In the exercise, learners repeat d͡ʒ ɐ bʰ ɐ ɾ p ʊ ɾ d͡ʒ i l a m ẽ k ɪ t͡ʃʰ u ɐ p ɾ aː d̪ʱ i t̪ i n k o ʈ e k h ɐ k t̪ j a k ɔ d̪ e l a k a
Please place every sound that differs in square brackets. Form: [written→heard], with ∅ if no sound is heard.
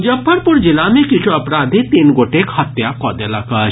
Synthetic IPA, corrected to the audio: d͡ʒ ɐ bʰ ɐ ɾ p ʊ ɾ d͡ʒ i l a m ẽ k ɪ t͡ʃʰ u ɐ p ɾ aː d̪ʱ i t̪ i n [k→ɡ] o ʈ e k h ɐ [k→∅] t̪ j a k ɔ d̪ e l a k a